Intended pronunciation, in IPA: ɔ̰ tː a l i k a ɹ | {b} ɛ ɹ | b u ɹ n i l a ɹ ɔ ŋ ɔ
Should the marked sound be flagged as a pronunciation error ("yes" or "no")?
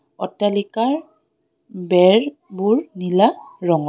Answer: no